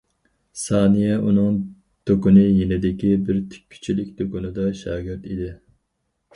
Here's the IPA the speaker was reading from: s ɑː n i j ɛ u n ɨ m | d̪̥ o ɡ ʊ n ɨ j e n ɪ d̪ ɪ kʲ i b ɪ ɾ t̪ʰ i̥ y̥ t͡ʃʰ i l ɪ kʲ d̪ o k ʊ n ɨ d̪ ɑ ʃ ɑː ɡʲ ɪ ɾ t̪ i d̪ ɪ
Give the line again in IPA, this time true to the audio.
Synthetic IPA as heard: s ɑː n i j ɛ u n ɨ ŋ | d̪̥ o k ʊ n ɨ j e n ɪ d̪ ɪ kʲ i b ɪ ɾ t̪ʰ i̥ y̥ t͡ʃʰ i l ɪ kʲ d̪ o k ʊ n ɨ d̪ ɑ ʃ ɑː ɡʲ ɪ ɾ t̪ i d̪ ɪ

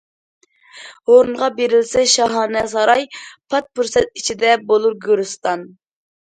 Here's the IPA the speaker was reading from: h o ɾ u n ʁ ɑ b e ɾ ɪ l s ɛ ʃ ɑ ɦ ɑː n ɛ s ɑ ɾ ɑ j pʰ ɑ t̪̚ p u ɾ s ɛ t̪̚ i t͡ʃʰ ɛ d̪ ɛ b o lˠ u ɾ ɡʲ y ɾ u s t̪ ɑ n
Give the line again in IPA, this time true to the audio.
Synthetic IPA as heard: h o ɾ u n ʁ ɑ b e ɾ ɪ l s ɛ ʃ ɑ ɦ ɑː n ɛ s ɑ ɾ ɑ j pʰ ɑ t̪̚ p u ɾ s ɛ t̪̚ i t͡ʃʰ i d̪ ɛ b o lˠ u ɾ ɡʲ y ɾ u s t̪ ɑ n

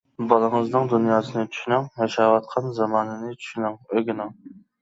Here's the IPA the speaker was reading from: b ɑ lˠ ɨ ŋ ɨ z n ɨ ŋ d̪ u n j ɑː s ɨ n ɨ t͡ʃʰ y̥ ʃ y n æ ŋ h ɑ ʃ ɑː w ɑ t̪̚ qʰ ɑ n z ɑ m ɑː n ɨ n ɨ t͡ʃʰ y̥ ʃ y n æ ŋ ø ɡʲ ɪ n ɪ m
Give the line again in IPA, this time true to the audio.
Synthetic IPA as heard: b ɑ lˠ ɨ ŋ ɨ z n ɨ ŋ d̪ u n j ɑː s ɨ n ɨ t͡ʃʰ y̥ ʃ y n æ ŋ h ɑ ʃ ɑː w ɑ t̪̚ qʰ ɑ n z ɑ m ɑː n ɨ n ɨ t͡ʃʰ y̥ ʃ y n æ ŋ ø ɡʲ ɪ n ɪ ŋ

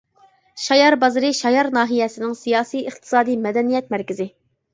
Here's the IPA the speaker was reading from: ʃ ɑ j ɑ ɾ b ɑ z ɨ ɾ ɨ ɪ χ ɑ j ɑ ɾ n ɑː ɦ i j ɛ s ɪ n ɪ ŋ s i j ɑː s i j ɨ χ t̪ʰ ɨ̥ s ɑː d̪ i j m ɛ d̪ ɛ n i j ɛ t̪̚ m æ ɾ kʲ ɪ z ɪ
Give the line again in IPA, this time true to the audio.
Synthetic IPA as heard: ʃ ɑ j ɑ ɾ b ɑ z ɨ ɾ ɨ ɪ ʃ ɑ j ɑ ɾ n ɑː ɦ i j ɛ s ɪ n ɪ ŋ s i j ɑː s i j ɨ χ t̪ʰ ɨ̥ s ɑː d̪ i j m ɛ d̪ ɛ n i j ɛ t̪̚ m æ ɾ kʲ ɪ z ɪ

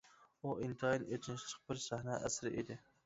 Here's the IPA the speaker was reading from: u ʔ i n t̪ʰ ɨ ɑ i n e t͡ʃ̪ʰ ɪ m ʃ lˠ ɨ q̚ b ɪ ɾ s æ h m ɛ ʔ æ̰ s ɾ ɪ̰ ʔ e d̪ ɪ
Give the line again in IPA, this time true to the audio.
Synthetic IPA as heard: u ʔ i n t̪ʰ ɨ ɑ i n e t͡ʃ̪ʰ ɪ n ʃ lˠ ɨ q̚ b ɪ ɾ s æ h n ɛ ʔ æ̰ s ɾ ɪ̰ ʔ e d̪ ɪ

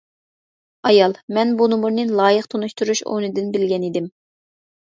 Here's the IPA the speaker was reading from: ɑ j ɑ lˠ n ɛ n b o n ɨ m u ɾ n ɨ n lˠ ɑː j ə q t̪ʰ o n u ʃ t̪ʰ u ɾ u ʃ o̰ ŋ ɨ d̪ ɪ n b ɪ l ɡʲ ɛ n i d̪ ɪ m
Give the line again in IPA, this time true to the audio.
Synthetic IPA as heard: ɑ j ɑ lˠ m ɛ n b u n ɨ m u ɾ n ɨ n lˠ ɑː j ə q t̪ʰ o n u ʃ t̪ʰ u ɾ u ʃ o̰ n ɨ d̪ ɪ n b ɪ l ɡʲ ɛ n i d̪ ɪ m

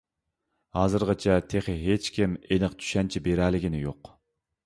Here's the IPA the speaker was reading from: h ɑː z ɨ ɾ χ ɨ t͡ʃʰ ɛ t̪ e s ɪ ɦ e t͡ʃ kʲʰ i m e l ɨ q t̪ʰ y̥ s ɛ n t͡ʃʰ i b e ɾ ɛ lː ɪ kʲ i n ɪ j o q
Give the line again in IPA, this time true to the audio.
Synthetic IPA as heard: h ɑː z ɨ ɾ ʁ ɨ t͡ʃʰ ɛ t̪ʰ e χ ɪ ɦ e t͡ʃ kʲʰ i m e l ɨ q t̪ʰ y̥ ʃ ɛ n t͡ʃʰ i b e ɾ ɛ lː ɪ ɡʲ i n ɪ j o q

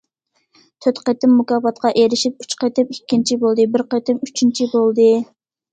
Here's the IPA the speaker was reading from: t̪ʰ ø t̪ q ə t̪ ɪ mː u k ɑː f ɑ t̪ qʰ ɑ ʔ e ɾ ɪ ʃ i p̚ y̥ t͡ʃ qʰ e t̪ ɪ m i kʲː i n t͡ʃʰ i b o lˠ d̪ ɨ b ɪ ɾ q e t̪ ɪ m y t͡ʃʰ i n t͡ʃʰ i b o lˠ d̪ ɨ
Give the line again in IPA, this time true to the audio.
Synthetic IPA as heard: t̪ʰ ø t̪ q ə t̪ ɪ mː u k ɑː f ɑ t̪ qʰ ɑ ʔ e ɾ ɪ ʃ i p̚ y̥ t͡ʃ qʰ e t̪ ɪ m i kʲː i n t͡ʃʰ i b o lˠ d̪ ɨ b ɪ ɾ q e t̪ ɪ m y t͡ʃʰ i n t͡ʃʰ i b o lˠ d̪ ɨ

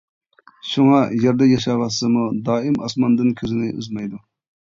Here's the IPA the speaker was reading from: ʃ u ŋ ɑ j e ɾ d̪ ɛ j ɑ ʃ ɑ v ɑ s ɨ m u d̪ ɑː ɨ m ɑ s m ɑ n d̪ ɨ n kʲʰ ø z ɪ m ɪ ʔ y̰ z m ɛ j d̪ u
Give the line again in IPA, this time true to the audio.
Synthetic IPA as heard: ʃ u ŋ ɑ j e ɾ d̪ ɛ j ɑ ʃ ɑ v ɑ s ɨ m u d̪ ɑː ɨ m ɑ s m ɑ n d̪ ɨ n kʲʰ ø z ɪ n ɪ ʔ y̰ z m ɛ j d̪ u

